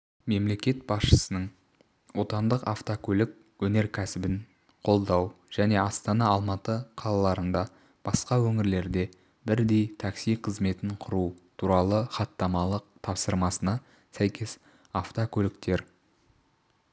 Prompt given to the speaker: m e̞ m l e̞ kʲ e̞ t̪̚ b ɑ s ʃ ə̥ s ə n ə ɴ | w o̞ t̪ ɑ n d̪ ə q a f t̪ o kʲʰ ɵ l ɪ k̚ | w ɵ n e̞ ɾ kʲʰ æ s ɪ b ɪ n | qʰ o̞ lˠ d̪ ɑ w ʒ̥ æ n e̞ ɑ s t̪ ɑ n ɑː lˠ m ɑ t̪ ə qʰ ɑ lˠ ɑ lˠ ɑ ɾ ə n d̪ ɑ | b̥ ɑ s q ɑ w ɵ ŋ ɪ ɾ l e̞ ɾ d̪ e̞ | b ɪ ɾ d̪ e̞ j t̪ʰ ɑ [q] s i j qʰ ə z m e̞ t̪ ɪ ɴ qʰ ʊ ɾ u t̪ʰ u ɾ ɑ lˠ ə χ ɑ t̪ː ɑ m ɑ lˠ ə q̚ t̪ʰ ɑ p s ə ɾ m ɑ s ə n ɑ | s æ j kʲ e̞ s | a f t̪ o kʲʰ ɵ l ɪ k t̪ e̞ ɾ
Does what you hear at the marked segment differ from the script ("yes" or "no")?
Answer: yes